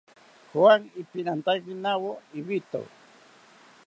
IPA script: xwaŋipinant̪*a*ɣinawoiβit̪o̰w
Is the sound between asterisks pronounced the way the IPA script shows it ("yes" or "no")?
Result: yes